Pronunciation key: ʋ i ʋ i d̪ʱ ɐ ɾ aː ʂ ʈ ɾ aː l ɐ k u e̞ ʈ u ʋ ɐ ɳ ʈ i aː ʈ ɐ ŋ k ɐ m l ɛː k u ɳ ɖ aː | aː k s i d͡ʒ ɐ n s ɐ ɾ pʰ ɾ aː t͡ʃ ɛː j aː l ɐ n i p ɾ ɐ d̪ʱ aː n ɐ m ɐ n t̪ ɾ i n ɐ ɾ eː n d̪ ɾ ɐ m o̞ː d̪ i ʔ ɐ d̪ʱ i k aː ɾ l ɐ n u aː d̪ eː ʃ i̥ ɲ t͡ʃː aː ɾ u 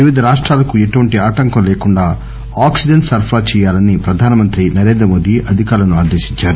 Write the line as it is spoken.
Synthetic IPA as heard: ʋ i ʋ i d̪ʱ ɐ ɾ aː ʂ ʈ ɾ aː l ɐ k u e̞ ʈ u ʋ ɐ ɳ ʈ i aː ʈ ɐ ŋ k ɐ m l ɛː k u ɳ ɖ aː | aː k s i d͡ʒ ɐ n s ɐ ɾ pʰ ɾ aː t͡ʃ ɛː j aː l ɐ n i p ɾ ɐ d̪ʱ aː n ɐ m ɐ n t̪ ɾ i n ɐ ɾ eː n d̪ ɾ ɐ m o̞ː d̪ i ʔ ɐ d̪ʱ i k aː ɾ l ɐ n u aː d̪ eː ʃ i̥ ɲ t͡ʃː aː ɾ u